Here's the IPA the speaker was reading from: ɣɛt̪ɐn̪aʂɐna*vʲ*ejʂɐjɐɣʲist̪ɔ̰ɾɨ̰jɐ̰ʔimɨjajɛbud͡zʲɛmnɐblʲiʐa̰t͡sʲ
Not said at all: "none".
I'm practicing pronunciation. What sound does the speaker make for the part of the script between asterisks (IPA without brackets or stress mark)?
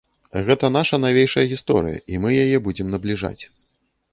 vʲ